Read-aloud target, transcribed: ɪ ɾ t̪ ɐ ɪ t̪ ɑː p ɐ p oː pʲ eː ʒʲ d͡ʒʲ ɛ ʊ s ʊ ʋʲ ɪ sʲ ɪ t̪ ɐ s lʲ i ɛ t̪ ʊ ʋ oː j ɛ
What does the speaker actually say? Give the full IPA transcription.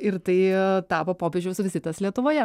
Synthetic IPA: ɪ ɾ t̪ ɐ ɪ t̪ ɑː p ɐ p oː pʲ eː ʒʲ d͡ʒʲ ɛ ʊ s ʊ ʋʲ ɪ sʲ ɪ t̪ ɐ s lʲ i ɛ t̪ ʊ ʋ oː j ɛ